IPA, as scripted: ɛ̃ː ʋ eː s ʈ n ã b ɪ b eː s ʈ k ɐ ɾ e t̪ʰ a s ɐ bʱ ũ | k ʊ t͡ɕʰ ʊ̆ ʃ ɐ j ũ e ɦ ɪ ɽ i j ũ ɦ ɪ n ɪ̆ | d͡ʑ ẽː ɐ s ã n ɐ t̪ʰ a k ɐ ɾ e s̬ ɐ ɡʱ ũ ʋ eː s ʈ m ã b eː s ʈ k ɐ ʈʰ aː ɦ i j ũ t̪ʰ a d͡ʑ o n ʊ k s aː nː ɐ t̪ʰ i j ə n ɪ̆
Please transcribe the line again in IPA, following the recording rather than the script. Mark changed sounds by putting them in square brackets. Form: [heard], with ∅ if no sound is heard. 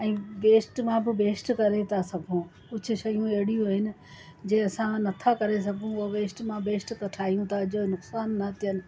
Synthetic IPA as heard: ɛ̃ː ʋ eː s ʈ [m] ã b ɪ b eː s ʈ k ɐ ɾ e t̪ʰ a s ɐ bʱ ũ | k ʊ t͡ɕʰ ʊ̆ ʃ ɐ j ũ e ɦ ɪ ɽ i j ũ ɦ ɪ n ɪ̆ | d͡ʑ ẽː ɐ s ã n ɐ t̪ʰ a k ɐ ɾ e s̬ ɐ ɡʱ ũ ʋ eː s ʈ m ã b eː s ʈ k ɐ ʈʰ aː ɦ i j ũ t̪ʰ a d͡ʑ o n ʊ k s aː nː ɐ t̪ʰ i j ə n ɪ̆

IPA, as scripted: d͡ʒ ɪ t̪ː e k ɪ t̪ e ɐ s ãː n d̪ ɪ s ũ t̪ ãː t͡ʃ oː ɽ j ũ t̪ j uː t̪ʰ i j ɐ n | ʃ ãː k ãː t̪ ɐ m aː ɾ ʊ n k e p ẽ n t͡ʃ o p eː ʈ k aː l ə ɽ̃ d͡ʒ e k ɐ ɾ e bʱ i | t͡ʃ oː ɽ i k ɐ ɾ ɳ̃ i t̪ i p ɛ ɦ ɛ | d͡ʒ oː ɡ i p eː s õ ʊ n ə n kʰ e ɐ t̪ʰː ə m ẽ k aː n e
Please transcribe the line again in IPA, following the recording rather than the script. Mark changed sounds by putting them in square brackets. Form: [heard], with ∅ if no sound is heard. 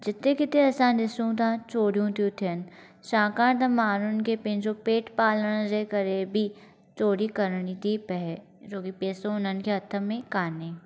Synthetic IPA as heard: d͡ʒ ɪ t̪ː e k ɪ t̪ e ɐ s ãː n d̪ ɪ s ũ t̪ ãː t͡ʃ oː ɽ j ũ t̪ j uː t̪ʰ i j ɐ n | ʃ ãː k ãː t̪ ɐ m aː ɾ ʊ n k e p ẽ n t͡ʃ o p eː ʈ [p] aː l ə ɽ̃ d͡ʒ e k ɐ ɾ e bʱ i | t͡ʃ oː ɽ i k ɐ ɾ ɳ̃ i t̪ i p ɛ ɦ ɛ | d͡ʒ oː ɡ i p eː s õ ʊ n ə n [k] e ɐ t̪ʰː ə m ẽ k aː n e

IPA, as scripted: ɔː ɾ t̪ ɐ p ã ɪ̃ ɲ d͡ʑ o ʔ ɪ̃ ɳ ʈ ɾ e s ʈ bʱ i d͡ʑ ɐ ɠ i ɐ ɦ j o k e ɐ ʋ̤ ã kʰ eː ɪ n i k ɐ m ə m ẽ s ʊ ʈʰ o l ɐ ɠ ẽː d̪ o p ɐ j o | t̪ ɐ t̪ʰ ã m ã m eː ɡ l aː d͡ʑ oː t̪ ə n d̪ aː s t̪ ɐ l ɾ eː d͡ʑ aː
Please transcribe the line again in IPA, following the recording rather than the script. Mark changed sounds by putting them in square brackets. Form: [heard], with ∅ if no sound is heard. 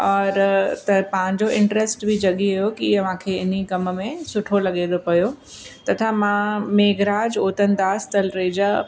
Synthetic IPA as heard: ɔː ɾ t̪ ɐ p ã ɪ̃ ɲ d͡ʑ o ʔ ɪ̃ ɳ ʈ ɾ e s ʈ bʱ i d͡ʑ ɐ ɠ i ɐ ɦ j o k [i] ɐ ʋ̤ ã kʰ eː ɪ n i k ɐ m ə m ẽ s ʊ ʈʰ o l ɐ ɠ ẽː d̪ o p ɐ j o | t̪ ɐ t̪ʰ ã m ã m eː ɡ [ɾ] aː d͡ʑ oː t̪ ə n d̪ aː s t̪ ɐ l ɾ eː d͡ʑ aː

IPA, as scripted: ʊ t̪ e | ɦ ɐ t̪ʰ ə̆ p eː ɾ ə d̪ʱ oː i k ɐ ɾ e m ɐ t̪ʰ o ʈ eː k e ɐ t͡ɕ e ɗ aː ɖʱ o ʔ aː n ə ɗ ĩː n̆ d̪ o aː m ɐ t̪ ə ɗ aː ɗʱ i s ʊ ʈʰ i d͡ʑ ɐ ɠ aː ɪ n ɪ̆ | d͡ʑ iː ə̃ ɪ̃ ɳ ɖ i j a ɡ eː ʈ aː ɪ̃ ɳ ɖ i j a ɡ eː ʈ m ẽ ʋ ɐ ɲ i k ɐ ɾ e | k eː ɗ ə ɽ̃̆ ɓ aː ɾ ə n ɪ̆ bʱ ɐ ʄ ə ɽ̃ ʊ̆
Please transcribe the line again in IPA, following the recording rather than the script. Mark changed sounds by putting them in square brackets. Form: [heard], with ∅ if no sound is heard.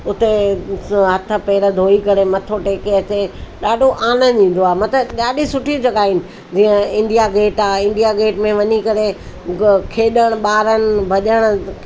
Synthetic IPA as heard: ʊ t̪ e | ɦ ɐ t̪ʰ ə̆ p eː ɾ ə d̪ʱ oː i k ɐ ɾ e m ɐ t̪ʰ o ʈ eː k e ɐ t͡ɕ e ɗ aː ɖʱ o ʔ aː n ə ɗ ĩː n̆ d̪ o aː m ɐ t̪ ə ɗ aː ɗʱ i s ʊ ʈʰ i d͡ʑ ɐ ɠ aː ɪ n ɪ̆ | d͡ʑ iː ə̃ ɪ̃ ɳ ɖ i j a ɡ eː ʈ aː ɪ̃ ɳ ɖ i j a ɡ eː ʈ m ẽ ʋ ɐ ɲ i k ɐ ɾ e | [kʰ] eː ɗ ə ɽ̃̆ ɓ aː ɾ ə n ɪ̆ bʱ ɐ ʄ ə ɽ̃ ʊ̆

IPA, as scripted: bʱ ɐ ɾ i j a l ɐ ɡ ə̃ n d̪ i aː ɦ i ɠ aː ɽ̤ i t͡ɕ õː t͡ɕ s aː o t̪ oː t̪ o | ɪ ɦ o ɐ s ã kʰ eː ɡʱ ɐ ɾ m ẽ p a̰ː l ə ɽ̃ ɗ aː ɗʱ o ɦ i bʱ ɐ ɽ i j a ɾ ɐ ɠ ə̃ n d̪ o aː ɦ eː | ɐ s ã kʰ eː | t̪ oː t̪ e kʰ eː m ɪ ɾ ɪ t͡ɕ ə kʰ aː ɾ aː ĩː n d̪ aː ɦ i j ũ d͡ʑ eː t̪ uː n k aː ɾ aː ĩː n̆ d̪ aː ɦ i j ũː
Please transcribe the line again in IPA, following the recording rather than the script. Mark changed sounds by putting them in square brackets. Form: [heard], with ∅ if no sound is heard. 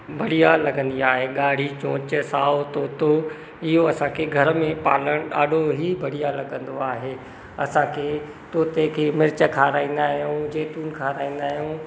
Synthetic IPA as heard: bʱ ɐ [ɽ] i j a l ɐ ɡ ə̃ n d̪ i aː ɦ [e] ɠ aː ɽ̤ i t͡ɕ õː t͡ɕ s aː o t̪ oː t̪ o | ɪ ɦ o ɐ s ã kʰ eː ɡʱ ɐ ɾ m ẽ p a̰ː l ə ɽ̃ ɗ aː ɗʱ o ɦ i bʱ ɐ ɽ i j a [l] ɐ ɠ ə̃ n d̪ o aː ɦ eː | ɐ s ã kʰ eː | t̪ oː t̪ e kʰ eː m ɪ ɾ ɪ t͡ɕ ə kʰ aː ɾ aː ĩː n d̪ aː ɦ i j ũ d͡ʑ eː t̪ uː n [kʰ] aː ɾ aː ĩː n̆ d̪ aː ɦ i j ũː

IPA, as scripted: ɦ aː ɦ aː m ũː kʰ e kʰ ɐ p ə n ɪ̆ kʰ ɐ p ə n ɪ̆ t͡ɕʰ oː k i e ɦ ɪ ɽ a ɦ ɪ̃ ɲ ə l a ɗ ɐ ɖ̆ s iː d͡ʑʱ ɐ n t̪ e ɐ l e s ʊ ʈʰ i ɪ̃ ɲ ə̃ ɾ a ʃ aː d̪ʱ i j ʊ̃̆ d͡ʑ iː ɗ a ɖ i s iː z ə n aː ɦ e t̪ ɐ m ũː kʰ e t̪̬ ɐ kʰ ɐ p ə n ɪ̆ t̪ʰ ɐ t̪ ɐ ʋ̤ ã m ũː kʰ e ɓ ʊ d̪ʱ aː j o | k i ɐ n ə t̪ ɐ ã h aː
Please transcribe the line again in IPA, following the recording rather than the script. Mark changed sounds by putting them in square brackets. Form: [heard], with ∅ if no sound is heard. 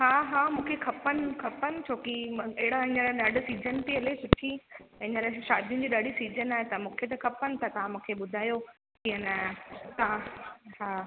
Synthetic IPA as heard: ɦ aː ɦ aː m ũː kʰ e kʰ ɐ p ə n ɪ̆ kʰ ɐ p ə n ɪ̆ t͡ɕʰ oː k i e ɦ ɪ ɽ a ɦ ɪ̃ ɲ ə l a ɗ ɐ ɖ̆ s iː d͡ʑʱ [ə] n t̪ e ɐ l e s ʊ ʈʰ i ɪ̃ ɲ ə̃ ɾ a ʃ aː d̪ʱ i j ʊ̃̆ d͡ʑ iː ɗ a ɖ i s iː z ə n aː ɦ e t̪ ɐ m ũː kʰ e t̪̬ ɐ kʰ ɐ p ə n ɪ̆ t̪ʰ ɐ t̪ ɐ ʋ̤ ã m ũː kʰ e ɓ ʊ d̪ʱ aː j o | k i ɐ n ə t̪ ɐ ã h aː

